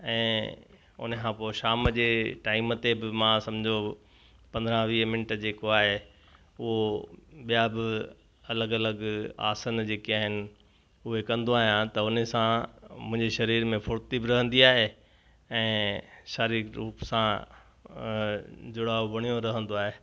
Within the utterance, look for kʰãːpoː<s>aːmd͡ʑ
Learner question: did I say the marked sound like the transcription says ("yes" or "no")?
no